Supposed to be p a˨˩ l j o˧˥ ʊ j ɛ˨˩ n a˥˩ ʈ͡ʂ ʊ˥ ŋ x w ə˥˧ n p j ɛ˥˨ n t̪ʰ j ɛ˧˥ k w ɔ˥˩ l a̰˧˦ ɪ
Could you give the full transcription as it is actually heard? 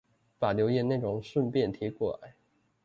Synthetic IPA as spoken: p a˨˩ l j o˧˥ ʊ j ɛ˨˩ n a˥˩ ʈ͡ʂ ʊ˨˩ ŋ ʂ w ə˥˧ n p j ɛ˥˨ n t̪ʰ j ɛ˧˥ k w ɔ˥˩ l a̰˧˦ ɪ